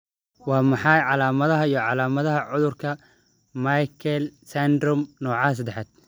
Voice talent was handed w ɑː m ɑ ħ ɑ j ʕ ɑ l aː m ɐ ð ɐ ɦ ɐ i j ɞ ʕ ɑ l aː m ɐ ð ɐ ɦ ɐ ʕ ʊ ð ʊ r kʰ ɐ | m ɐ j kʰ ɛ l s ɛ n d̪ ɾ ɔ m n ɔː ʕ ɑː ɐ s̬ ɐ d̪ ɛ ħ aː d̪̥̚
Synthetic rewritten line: w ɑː m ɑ ħ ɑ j ʕ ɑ l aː m ɐ ð ɐ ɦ ɐ i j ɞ ʕ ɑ l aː m ɐ ð ɐ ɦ ɐ ʕ ʊ ð ʊ r kʰ ɐ | m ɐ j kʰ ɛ l s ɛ n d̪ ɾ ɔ m n ɔː ʕ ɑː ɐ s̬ ɐ d̪ ɛ ħ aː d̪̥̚